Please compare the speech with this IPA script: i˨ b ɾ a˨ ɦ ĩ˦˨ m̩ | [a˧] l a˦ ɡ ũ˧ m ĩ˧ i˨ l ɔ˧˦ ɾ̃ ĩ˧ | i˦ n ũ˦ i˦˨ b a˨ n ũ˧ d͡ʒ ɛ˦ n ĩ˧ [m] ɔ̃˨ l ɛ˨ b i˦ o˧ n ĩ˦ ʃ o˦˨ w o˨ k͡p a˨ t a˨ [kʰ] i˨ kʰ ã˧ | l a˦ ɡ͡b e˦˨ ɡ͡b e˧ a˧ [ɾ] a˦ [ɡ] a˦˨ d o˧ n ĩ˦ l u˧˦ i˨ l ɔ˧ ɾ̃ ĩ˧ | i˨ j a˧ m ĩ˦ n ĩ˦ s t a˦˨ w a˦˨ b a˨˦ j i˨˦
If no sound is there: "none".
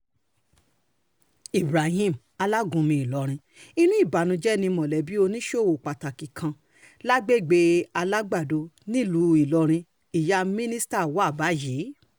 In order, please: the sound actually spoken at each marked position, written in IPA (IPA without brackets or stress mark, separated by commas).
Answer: a˧, m, k, l, ɡ͡b